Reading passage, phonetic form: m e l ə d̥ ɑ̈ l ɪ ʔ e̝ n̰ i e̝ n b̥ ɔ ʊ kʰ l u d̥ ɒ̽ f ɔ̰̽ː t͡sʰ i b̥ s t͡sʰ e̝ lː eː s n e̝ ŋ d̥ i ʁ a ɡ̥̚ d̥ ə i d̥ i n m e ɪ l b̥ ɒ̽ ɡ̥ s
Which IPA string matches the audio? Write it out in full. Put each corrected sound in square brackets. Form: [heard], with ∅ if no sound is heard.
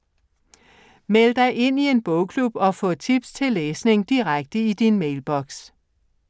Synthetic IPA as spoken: m e l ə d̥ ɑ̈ [∅] ɪ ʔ e̝ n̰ i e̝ n b̥ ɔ ʊ kʰ l u [b̥] ɒ̽ f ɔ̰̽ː t͡sʰ i b̥ s t͡sʰ e̝ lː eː s n e̝ ŋ d̥ i ʁ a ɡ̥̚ d̥ ə i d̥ i n m e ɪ l b̥ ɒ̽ ɡ̥ s